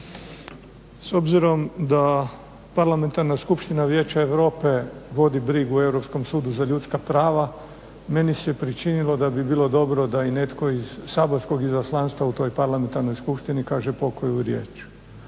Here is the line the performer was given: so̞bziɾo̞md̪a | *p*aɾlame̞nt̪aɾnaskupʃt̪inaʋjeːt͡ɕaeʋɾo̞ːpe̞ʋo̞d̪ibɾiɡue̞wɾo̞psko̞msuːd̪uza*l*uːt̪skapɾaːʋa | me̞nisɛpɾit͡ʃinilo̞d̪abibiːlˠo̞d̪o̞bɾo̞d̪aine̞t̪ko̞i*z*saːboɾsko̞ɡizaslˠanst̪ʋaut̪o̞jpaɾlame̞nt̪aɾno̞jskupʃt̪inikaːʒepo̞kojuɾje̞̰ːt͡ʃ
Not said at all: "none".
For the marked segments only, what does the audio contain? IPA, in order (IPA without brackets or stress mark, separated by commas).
p, ʎ, z